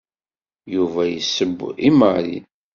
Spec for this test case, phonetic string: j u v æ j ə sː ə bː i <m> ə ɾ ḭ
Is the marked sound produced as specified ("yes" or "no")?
yes